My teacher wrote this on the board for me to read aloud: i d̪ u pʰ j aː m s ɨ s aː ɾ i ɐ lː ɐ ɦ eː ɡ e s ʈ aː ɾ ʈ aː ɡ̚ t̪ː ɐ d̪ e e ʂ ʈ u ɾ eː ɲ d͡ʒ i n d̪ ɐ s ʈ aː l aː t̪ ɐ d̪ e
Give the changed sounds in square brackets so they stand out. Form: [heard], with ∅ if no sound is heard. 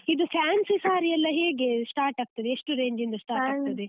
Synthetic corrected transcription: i d̪ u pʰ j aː [n] s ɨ s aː ɾ i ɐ lː ɐ ɦ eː ɡ e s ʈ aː ɾ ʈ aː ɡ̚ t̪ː ɐ d̪ e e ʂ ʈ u ɾ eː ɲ d͡ʒ i n d̪ ɐ s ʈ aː [ɾ] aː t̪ ɐ d̪ e